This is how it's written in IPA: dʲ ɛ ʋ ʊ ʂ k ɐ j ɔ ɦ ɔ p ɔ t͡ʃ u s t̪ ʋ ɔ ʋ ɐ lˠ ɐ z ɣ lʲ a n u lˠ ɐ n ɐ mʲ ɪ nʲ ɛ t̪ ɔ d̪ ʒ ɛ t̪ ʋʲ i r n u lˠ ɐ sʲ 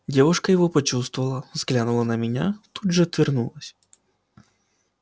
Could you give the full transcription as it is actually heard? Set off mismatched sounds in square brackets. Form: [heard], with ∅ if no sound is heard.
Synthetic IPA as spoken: dʲ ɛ ʋ ʊ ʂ k ɐ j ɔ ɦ ɔ p ɔ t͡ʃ u s t̪ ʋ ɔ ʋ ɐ lˠ ɐ z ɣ lʲ a n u lˠ ɐ n ɐ mʲ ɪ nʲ [a] t̪ [u] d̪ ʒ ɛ t̪ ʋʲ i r n u lˠ ɐ sʲ